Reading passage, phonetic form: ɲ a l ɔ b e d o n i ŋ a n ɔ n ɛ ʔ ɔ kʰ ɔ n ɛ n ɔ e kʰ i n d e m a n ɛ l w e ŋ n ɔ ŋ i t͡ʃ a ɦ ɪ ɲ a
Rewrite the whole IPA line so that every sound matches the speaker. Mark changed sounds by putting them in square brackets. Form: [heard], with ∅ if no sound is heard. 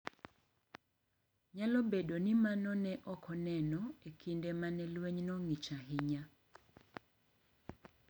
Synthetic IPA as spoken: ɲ a l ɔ b e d o n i [m] a n ɔ n ɛ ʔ ɔ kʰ ɔ n ɛ n ɔ e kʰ i n d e m a n ɛ l w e [ɲ] n ɔ ŋ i t͡ʃ a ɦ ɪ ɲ a